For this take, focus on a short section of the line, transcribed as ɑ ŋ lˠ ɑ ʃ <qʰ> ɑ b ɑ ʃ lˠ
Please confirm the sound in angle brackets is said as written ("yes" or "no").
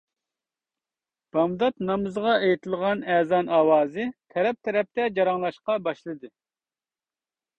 no